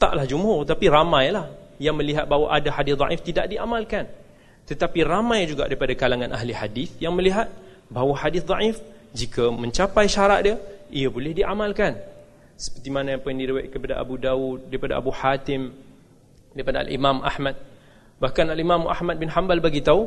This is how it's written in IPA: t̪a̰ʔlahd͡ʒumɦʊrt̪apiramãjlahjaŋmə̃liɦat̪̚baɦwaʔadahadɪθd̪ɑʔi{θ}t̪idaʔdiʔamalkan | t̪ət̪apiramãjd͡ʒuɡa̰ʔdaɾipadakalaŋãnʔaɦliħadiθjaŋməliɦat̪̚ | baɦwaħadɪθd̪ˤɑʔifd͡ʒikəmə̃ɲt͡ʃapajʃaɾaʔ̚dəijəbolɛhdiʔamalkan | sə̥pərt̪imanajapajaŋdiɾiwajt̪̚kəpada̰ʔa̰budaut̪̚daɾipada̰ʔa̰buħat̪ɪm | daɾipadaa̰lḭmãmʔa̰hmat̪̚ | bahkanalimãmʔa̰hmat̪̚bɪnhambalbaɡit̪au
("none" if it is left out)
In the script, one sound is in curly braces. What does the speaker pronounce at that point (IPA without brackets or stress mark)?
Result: f